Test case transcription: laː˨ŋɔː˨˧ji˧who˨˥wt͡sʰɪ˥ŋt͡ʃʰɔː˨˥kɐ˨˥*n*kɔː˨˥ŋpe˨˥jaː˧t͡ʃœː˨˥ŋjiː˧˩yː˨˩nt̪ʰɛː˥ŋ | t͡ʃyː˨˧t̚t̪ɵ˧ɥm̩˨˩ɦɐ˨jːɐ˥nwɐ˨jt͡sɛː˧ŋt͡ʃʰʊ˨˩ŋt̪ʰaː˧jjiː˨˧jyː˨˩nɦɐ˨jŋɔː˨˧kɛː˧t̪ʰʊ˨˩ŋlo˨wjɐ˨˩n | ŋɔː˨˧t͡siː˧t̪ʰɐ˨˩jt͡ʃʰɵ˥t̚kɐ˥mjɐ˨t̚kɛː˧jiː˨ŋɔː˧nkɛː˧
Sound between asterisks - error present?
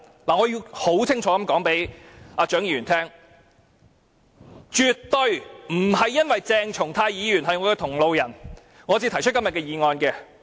yes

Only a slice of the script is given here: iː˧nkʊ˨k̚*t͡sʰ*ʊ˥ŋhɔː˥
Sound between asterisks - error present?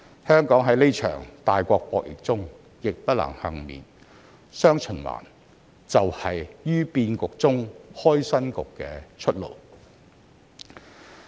yes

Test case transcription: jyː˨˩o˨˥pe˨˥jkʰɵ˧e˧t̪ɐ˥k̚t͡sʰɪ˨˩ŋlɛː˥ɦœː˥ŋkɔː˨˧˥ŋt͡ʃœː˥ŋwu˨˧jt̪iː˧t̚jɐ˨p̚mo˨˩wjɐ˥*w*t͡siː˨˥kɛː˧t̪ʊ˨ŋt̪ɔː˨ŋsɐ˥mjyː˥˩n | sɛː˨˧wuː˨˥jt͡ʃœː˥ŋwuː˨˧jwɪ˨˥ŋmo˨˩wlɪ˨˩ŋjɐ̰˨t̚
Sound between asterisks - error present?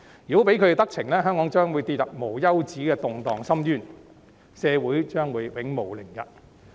no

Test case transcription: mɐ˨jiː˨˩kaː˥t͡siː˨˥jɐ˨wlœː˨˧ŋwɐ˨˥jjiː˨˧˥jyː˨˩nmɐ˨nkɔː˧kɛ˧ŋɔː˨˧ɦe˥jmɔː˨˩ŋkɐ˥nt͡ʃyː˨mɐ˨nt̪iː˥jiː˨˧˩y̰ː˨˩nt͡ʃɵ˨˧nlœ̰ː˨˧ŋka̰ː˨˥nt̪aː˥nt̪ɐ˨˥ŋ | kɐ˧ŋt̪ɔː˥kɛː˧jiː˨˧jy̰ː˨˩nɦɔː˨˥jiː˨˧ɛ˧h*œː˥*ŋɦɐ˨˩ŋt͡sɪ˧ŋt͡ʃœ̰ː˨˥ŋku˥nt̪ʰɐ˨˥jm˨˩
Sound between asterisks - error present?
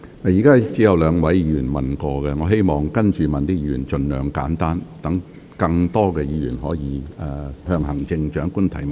yes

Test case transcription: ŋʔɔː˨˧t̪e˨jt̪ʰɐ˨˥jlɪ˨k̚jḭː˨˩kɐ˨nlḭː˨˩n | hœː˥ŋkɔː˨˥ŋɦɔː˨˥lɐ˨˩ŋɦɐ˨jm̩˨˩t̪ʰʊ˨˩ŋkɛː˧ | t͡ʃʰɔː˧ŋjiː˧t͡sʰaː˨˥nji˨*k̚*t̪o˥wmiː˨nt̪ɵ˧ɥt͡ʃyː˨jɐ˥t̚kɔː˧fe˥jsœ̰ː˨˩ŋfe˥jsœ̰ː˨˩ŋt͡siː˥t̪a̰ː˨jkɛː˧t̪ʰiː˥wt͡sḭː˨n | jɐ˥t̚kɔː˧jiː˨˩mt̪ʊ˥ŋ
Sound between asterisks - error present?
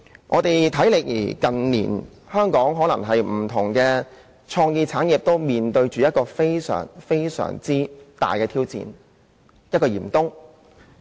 yes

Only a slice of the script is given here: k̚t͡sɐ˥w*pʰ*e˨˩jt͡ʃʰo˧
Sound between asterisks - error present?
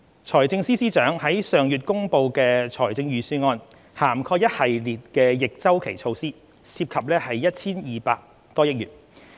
yes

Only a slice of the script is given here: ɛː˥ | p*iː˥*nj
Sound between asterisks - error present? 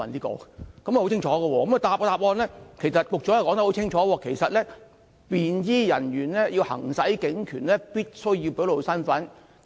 yes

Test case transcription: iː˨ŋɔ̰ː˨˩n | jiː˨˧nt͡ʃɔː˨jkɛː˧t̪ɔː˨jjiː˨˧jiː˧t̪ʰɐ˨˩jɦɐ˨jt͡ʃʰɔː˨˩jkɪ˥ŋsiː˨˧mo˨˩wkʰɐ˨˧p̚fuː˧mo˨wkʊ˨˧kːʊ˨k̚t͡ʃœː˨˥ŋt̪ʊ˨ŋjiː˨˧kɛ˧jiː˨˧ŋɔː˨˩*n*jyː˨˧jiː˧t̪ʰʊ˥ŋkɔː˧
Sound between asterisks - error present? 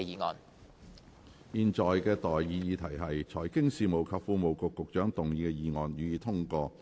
no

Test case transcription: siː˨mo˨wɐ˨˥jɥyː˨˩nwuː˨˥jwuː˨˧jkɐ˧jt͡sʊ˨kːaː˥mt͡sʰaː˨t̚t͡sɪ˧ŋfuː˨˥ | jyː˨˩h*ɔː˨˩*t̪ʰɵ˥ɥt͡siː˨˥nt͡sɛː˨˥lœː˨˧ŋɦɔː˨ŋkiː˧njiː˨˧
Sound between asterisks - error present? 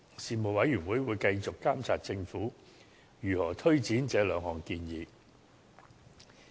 no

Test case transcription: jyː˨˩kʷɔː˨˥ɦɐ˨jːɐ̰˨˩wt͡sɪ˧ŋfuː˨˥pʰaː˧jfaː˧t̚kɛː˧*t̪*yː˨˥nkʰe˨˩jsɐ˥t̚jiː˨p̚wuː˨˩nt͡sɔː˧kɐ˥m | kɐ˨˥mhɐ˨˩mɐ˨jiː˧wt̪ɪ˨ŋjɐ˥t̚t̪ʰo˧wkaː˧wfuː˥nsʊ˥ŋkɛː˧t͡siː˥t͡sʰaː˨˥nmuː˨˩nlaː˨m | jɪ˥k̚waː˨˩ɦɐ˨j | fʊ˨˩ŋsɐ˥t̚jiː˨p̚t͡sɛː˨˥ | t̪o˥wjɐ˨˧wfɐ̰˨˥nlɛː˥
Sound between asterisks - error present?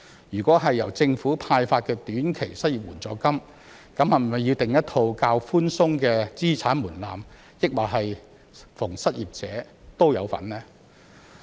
no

